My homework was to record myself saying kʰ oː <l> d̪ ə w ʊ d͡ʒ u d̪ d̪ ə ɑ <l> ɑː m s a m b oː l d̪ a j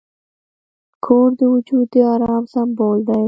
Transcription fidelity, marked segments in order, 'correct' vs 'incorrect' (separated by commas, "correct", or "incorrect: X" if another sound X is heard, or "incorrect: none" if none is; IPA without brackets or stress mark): incorrect: ɾ, incorrect: ɾ